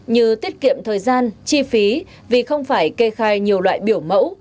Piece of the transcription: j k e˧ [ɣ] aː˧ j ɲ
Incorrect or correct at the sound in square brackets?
incorrect: x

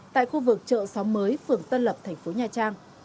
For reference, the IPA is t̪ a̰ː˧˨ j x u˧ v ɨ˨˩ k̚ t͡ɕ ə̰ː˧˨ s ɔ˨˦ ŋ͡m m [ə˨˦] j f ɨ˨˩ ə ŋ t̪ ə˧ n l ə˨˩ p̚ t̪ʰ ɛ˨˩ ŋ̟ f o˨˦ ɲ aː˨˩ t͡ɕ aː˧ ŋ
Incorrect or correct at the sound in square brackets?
incorrect: əː˨˦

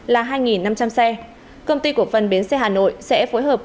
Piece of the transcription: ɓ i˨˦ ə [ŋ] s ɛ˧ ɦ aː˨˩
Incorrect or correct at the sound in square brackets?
incorrect: n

